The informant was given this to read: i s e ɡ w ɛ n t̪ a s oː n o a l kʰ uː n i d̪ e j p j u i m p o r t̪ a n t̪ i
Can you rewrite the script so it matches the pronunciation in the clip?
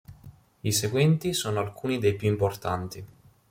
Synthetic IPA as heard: i s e ɡ w ɛ n t̪ i s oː n o a l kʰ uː n i d̪ e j p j u i m p o r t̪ a n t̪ i